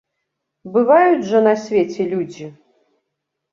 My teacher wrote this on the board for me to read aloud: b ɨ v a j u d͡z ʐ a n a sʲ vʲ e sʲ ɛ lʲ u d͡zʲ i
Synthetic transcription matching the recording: b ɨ v a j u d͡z ʐ ɐ n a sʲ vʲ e t͡sʲ ɛ lʲ u d͡zʲ i